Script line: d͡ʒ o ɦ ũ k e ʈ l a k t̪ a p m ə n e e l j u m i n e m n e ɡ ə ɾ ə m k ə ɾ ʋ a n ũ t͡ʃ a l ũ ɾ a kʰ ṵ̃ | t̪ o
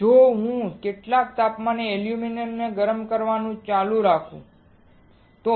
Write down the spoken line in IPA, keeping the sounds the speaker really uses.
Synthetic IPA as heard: d͡ʒ o ɦ ũ k e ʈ l a k t̪ a p m a n e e l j u m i n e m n e ɡ ə ɾ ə m k ə ɾ ʋ a n ũ t͡ʃ a l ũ ɾ a kʰ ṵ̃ | t̪ o